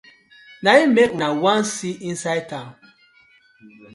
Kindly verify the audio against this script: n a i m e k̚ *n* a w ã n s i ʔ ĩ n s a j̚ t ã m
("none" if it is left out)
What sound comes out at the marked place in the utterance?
n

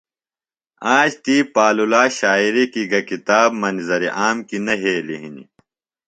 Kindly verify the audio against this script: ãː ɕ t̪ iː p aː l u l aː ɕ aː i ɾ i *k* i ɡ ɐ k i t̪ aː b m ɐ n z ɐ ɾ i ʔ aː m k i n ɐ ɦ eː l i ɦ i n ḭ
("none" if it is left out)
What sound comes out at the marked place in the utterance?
k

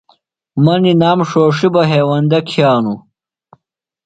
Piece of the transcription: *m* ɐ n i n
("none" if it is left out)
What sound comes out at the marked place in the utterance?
m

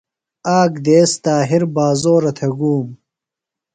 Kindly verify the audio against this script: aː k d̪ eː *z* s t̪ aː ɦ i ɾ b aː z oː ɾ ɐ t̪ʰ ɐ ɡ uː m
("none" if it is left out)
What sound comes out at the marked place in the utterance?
none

